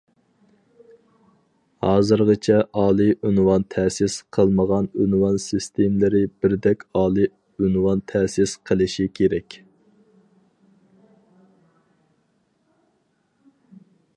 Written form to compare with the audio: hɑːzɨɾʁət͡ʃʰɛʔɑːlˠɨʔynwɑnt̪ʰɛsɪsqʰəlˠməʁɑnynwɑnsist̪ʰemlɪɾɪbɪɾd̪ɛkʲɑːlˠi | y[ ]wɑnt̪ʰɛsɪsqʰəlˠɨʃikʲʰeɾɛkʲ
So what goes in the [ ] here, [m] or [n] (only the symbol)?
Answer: n